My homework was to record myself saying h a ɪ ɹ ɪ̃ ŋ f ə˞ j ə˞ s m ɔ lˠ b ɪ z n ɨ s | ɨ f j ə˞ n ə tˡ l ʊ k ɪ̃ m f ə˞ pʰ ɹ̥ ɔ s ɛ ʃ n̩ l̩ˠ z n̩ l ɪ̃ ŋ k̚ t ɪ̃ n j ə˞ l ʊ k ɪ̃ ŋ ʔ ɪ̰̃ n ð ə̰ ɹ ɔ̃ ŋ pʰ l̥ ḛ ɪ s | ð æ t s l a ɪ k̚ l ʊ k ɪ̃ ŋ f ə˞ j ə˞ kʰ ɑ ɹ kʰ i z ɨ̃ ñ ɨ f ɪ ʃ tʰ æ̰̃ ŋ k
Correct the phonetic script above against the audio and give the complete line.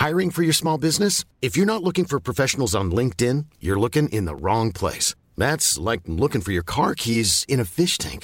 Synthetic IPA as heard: h a ɪ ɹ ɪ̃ ŋ f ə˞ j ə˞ s m ɔ lˠ b ɪ z n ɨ s | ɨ f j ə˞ n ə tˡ l ʊ k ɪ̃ ŋ f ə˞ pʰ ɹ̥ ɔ f ɛ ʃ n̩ l̩ˠ z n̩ l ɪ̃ ŋ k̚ t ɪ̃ n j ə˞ l ʊ k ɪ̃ ŋ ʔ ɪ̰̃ n ð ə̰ ɹ ɔ̃ ŋ pʰ l̥ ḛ ɪ s | ð æ t s l a ɪ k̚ l ʊ k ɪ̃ ŋ f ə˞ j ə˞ kʰ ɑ ɹ kʰ i z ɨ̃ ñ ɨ f ɪ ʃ tʰ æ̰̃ ŋ k